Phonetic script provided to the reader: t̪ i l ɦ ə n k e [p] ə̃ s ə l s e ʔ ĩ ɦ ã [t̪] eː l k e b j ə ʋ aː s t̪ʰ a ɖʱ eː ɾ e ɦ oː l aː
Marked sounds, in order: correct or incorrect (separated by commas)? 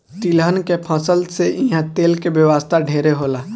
incorrect, correct